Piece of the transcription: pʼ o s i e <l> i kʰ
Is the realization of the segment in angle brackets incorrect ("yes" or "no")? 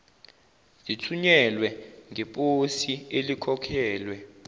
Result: no